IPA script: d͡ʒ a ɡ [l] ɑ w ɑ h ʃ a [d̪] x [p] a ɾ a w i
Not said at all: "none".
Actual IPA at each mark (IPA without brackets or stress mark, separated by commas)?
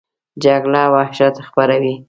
l, t̪, p